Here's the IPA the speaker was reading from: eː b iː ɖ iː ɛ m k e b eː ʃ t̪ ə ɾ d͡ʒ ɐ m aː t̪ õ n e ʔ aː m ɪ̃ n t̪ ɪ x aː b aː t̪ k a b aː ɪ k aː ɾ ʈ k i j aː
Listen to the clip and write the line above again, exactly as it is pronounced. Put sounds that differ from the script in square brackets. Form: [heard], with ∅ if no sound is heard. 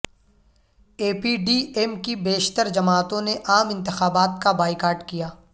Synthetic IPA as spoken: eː [p] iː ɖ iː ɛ m k [i] b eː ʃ t̪ ə ɾ d͡ʒ ɐ m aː t̪ õ n e ʔ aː m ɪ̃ n t̪ ɪ x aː b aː t̪ k a b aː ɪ k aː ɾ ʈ k i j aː